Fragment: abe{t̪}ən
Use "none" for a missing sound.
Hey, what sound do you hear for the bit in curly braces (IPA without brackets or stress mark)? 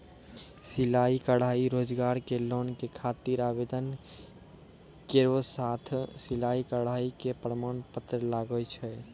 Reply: d̪